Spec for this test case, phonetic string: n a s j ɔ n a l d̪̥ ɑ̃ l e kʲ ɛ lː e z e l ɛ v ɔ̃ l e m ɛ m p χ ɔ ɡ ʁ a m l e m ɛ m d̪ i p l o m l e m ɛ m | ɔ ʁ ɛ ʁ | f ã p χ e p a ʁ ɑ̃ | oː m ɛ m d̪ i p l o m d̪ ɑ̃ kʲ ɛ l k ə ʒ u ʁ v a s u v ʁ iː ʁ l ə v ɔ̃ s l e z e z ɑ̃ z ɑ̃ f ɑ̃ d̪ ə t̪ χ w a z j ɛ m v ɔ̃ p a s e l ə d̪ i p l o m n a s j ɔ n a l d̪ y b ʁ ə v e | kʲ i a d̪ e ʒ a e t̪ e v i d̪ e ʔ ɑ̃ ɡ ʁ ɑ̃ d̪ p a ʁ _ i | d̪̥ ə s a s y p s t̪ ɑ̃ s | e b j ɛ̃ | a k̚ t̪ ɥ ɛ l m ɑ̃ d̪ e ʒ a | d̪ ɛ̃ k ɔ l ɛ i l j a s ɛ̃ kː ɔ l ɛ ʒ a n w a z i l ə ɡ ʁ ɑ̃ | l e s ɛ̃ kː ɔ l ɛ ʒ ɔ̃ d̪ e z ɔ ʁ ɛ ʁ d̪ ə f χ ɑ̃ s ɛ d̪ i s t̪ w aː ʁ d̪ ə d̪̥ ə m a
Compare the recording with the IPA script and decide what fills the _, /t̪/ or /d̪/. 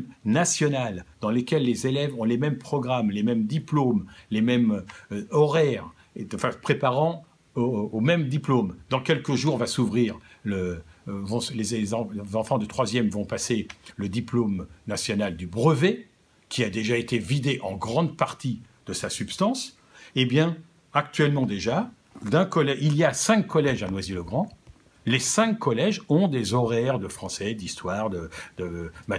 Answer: t̪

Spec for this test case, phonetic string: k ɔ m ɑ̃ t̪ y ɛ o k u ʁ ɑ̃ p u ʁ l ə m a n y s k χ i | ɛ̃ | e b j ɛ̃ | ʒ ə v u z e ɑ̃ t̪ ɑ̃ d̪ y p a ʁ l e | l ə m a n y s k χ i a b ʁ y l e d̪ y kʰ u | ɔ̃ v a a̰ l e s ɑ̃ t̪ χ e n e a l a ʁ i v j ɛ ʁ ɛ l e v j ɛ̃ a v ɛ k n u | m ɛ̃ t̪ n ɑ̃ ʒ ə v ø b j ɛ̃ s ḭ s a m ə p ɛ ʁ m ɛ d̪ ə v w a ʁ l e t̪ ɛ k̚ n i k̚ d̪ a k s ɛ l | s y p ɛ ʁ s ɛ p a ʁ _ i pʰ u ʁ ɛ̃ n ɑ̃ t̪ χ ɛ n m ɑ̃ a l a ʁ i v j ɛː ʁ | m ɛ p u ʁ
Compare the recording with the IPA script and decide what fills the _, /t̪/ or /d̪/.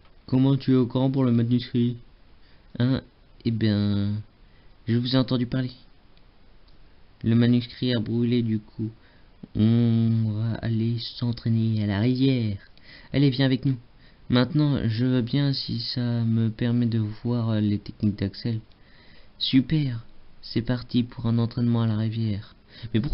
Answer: t̪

